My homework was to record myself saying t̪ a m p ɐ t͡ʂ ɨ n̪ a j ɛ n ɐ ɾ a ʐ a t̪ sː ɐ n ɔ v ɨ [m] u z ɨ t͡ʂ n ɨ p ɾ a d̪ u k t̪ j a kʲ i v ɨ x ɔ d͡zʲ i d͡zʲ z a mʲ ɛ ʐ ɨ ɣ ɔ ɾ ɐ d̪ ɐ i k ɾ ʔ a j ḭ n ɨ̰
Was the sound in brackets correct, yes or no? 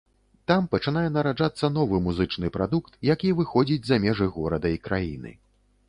yes